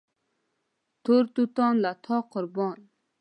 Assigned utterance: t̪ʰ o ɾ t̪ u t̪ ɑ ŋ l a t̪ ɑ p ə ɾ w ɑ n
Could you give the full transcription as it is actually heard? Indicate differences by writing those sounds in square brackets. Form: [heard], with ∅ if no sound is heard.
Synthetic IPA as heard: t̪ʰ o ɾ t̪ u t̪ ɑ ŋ l a [t̪ʰ] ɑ [q] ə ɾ [b] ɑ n